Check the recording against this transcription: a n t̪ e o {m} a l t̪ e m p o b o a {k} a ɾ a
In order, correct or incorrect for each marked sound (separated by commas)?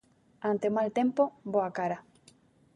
correct, correct